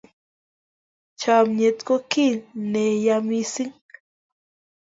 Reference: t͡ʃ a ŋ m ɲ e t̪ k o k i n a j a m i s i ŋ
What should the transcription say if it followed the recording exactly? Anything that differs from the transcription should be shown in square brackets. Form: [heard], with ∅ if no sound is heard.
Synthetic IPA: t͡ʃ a [∅] m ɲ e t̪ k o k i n [e] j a m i s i ŋ